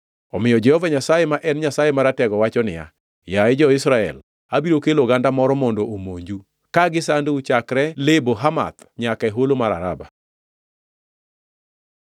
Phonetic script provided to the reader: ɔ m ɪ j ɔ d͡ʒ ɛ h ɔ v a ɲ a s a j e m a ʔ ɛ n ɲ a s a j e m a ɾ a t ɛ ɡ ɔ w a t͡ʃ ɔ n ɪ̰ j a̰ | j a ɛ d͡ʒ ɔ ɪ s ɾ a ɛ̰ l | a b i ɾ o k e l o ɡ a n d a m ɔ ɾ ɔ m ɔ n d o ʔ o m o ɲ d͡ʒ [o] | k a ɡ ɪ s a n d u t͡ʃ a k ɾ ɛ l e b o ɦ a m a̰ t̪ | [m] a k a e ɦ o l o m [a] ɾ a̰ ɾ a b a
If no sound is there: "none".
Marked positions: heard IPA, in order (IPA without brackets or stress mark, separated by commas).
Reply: u, ɲ, a